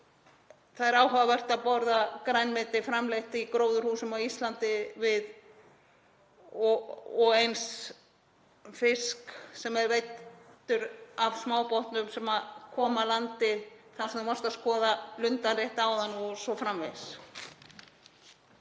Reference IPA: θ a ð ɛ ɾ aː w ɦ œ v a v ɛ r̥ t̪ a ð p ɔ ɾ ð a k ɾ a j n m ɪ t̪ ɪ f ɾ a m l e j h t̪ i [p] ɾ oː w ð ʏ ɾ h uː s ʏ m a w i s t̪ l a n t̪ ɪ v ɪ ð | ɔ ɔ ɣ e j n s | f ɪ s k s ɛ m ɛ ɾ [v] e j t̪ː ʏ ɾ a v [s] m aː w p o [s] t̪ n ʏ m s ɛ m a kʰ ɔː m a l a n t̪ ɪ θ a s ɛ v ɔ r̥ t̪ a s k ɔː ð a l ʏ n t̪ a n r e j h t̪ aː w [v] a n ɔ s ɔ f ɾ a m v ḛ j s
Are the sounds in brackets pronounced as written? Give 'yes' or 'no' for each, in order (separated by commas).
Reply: no, yes, yes, no, no